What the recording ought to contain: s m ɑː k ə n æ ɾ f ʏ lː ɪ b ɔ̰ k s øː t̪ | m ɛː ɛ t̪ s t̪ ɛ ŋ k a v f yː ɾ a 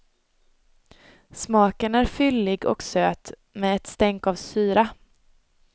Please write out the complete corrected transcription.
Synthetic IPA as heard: s m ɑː k ə n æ ɾ f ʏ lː ɪ ɡ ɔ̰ k s øː t̪ | m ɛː ɛ t̪ s t̪ ɛ ŋ k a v s yː ɾ a